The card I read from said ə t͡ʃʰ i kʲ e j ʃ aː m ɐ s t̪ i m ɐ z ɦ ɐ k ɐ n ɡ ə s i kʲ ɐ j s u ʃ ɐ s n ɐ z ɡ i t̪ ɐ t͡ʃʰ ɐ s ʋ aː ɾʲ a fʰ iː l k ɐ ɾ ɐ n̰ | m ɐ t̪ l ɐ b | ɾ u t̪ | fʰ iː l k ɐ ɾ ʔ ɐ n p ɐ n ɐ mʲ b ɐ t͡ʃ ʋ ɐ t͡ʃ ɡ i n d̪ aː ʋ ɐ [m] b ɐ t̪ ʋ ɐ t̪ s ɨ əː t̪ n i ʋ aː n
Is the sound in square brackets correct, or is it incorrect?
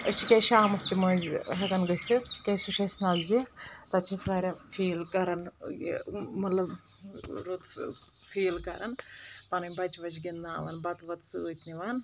incorrect